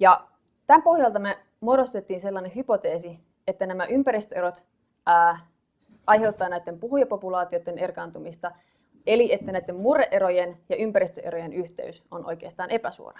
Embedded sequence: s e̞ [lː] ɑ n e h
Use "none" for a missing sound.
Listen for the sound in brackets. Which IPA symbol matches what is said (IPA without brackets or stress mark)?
lː